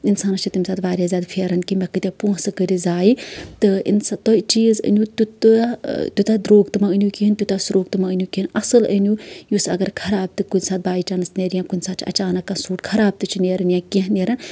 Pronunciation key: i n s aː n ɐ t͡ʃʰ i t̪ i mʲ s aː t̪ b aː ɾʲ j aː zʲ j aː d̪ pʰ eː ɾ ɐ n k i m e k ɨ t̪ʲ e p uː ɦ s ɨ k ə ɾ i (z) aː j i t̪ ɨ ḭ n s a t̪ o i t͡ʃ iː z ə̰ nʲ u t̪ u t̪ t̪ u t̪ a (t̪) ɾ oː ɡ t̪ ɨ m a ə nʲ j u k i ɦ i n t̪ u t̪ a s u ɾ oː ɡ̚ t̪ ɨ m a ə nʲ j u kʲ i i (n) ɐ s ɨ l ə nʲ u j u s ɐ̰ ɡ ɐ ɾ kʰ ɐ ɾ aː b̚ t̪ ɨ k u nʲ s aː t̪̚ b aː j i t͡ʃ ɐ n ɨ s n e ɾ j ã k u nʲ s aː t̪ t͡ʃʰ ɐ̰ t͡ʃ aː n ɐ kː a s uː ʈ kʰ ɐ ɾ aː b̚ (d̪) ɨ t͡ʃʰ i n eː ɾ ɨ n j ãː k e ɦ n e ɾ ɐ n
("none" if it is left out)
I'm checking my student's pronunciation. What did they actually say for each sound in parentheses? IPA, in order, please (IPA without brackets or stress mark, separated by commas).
z, d̪, n, t̪